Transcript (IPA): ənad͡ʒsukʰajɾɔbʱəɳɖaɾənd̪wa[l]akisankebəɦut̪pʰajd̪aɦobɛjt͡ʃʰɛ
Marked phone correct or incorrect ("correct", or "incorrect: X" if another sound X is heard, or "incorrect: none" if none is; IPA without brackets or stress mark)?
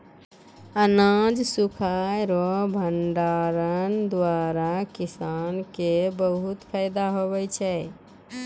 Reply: incorrect: ɾ